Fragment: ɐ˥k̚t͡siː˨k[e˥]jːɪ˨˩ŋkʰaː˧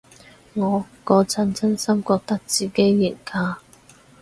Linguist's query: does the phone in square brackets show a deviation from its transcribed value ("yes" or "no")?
no